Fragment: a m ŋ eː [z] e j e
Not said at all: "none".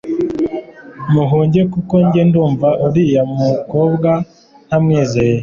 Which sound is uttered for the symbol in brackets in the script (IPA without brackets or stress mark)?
z